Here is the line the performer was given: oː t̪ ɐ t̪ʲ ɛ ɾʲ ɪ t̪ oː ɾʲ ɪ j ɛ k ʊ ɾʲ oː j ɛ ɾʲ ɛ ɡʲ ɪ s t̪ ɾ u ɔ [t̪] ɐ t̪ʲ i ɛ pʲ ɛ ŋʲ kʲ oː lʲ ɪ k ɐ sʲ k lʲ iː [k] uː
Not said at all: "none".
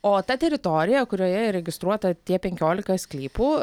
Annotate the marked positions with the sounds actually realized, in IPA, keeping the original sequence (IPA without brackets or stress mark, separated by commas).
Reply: t̪, p